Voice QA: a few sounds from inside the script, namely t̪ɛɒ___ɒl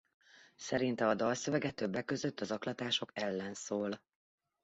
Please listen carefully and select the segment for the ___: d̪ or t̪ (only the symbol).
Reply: d̪